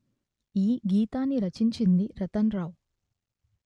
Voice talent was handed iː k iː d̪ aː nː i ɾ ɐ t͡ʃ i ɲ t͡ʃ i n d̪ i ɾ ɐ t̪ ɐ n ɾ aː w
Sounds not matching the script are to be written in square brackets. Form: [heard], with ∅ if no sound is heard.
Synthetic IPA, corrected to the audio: iː [ɡ] iː [t̪] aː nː i ɾ ɐ t͡ʃ i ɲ t͡ʃ i n d̪ i ɾ ɐ t̪ ɐ n ɾ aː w

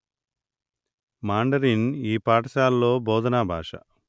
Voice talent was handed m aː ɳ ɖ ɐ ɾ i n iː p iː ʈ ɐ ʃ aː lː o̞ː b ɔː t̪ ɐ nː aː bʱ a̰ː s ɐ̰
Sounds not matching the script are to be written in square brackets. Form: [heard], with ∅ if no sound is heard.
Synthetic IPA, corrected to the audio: m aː ɳ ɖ ɐ ɾ i n iː p [aː] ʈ ɐ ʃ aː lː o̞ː b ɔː [d̪] ɐ [n] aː bʱ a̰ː [ʂ] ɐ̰

